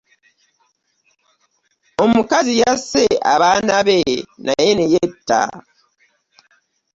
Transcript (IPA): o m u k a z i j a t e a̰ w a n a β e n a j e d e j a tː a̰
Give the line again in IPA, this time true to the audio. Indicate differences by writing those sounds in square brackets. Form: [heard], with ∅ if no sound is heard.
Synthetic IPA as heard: o m u k a z i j a [s] e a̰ [β] a n a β e n a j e [n] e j [e] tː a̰